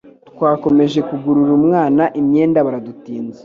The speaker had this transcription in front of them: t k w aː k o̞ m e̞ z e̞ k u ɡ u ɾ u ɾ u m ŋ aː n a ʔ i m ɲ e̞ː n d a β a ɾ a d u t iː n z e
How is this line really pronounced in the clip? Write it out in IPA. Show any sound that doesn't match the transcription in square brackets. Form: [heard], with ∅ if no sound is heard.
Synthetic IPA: t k w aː k o̞ m e̞ [ʒ] e̞ k u ɡ u ɾ u ɾ u m ŋ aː n a ʔ i m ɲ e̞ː n d a β a ɾ a d u t iː n z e